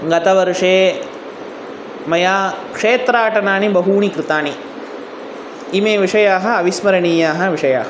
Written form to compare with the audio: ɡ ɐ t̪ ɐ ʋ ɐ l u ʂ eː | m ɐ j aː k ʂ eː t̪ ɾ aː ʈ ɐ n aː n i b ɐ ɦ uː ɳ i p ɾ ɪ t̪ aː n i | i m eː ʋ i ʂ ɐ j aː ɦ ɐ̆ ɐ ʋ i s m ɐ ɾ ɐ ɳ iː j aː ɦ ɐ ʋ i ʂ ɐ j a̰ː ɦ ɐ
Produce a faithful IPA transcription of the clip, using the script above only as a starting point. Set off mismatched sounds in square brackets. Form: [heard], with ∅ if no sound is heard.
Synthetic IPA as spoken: ɡ ɐ t̪ ɐ ʋ ɐ [ɾ] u ʂ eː | m ɐ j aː k ʂ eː t̪ ɾ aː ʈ ɐ n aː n i b ɐ ɦ uː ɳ i [k] ɾ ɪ t̪ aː n i | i m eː ʋ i ʂ ɐ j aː ɦ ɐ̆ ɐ ʋ i s m ɐ ɾ ɐ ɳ iː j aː ɦ ɐ ʋ i ʂ ɐ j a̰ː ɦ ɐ